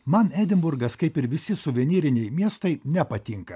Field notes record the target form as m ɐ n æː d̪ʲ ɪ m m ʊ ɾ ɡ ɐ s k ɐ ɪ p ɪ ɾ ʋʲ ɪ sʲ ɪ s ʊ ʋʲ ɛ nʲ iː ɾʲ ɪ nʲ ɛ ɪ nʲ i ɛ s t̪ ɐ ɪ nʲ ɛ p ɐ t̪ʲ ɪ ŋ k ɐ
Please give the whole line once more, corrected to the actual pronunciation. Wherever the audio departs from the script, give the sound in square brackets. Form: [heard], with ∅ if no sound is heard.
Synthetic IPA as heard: m ɐ n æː d̪ʲ ɪ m [b] ʊ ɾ ɡ ɐ s k ɐ ɪ p ɪ ɾ ʋʲ ɪ sʲ ɪ s ʊ ʋʲ ɛ nʲ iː ɾʲ ɪ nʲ ɛ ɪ [mʲ] i ɛ s t̪ ɐ ɪ nʲ ɛ p ɐ t̪ʲ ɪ ŋ k ɐ